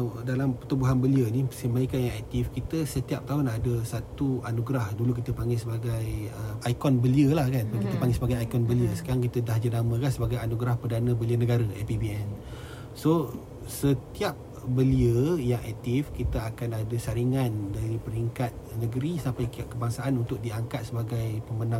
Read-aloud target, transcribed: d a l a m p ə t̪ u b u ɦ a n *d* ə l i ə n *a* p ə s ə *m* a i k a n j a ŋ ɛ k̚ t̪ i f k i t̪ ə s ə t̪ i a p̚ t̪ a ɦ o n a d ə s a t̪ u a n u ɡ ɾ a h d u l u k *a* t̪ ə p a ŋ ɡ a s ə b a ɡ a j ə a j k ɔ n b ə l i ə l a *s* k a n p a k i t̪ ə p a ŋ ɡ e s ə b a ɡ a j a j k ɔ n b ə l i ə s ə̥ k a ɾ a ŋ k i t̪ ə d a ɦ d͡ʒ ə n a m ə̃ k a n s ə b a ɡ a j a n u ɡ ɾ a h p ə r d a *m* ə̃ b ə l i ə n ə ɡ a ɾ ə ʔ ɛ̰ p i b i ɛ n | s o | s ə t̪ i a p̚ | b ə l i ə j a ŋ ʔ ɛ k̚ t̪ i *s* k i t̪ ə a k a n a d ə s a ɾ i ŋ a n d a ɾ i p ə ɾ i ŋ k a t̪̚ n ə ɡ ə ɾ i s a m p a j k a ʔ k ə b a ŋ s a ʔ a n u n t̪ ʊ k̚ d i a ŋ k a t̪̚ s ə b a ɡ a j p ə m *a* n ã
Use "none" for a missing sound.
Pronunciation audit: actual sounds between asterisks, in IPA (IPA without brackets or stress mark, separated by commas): b, i, m, i, h, n, f, ə